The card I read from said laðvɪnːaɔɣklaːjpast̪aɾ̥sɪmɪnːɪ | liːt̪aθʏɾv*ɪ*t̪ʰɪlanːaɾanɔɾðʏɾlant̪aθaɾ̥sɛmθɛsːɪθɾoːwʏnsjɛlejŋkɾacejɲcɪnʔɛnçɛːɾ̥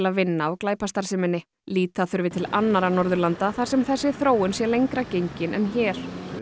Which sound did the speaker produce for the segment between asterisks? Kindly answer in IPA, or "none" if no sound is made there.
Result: ɪ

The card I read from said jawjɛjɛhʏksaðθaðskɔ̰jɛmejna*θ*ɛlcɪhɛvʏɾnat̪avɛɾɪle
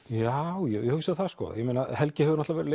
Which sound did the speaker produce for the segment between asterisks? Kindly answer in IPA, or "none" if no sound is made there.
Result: h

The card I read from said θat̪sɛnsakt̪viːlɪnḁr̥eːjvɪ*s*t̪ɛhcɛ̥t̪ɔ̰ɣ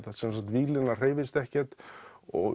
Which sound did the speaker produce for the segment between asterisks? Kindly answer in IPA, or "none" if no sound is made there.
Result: s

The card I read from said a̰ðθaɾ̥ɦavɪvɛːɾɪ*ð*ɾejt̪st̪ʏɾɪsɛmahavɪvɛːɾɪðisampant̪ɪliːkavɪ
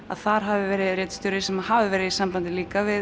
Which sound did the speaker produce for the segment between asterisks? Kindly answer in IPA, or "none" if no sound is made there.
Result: ð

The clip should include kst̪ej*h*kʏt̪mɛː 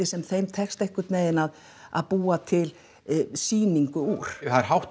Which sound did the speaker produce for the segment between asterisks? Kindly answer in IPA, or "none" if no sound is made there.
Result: h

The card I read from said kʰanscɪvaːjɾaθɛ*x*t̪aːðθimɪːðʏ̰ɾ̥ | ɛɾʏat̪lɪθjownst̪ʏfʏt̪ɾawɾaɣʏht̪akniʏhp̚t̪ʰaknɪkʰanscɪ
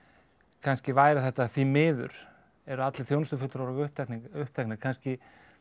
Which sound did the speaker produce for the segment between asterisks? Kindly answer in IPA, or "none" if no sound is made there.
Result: h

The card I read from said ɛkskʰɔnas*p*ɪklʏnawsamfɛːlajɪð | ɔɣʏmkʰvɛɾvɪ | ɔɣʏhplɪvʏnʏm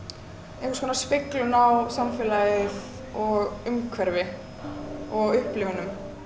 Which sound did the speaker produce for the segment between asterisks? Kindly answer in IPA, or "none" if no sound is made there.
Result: p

